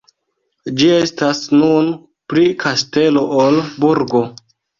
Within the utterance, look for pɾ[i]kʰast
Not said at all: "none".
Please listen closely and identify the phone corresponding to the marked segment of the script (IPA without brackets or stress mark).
i